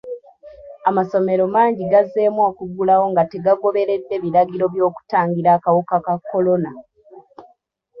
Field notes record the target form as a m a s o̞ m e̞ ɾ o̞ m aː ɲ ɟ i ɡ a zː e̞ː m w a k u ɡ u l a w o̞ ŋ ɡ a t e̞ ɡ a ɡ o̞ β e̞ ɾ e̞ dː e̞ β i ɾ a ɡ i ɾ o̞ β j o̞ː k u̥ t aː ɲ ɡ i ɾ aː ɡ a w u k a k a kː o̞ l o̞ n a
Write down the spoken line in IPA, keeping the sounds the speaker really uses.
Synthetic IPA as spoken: a m a s o̞ m e̞ ɾ o̞ m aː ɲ ɟ i ɡ a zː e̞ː m w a k u ɡ u l a w o̞ ŋ ɡ a t e̞ ɡ a ɡ o̞ β e̞ ɾ e̞ dː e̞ β i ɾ a ɡ i ɾ o̞ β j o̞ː k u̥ t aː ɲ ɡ i ɾ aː k a w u k a k a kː o̞ l o̞ n a

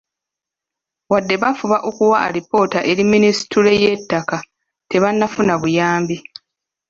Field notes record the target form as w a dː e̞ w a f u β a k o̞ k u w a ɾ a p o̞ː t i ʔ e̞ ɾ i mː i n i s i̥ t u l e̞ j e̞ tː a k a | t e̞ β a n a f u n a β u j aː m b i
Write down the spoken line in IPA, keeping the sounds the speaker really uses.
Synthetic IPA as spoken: w a dː e̞ β a f u β a ʔ o̞ k u w a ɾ i p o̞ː t a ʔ e̞ ɾ i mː i n i s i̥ t u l e̞ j e̞ tː a k a | t e̞ β a nː a f u n a β u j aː m b i

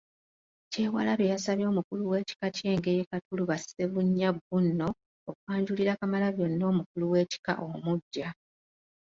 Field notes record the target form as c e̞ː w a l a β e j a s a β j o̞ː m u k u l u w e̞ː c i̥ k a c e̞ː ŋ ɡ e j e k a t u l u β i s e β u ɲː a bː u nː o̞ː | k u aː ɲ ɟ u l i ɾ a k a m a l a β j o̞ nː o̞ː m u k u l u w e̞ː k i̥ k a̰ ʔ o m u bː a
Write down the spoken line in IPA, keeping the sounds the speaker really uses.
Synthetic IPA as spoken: c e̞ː w a l a β e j a s a β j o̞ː m u k u l u w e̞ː c i̥ k a c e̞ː ŋ ɡ e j e k a t u l u β a s e β u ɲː a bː u nː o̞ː | k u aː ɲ ɟ u l i ɾ a k a m a l a β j o̞ nː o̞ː m u k u l u w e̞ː c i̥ k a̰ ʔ o m u ɟː a

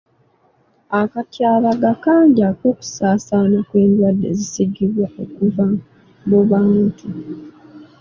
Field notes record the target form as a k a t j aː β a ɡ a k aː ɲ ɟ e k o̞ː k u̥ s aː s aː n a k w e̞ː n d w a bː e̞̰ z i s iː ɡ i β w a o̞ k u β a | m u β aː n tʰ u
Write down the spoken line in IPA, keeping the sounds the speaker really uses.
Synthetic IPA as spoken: a k a t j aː β a ɡ a k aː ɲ ɟ a k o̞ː k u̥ s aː s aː n a k w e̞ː n d w a dː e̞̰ z i s i ɡ i β w a o̞ k u v a | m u β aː n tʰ u

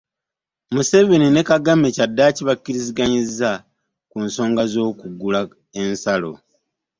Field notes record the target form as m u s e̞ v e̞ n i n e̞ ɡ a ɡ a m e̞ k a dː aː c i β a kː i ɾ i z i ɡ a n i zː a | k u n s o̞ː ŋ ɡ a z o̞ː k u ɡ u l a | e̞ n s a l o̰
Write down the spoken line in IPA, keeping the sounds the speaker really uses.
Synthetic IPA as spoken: m u s e̞ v e̞ n i n e̞ k a ɡ a m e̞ c a dː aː c i β a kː i ɾ i z i ɡ a ɲ i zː a | k u n s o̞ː ŋ ɡ a z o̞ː k u ɡ u l a | e̞ n s a l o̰

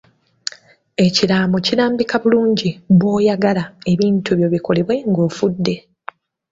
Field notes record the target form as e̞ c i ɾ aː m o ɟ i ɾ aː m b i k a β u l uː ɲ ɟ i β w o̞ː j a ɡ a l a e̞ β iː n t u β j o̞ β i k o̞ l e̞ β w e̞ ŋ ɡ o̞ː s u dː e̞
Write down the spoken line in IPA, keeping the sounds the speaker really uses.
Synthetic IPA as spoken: e̞ c i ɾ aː m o c i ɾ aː m b i k a β u l uː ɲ ɟ i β w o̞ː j a ɡ a l a e̞ β iː n t u β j o̞ β i k o̞ l e̞ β w e̞ ŋ ɡ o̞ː f u dː e̞

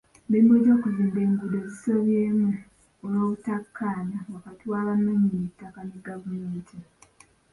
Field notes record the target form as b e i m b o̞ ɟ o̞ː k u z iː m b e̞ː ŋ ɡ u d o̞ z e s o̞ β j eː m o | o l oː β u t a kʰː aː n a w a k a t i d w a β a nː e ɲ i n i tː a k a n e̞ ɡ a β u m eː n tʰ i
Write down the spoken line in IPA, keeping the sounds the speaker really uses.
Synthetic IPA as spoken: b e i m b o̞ ɟ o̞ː k u z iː m b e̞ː ŋ ɡ u d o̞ z i s o̞ β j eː m u | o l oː β u t a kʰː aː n a w a k a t i w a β a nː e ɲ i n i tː a k a n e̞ ɡ a v u m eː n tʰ i

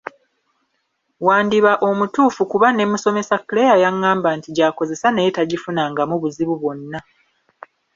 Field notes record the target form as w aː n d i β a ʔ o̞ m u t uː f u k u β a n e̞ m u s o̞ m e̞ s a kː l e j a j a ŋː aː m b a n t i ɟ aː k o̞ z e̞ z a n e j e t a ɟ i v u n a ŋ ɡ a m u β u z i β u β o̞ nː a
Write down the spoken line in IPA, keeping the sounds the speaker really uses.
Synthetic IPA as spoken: w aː n d i β a ʔ o̞ m u t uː f u k u β a n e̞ m u s o̞ m e̞ s a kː l e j a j a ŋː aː m b a n t i ɟ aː k o̞ z e̞ s a n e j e t a ɟ i f u n a ŋ ɡ a m u β u z i β u β o̞ nː a

